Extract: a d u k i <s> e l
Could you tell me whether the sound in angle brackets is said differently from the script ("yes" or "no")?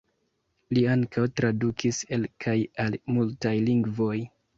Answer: no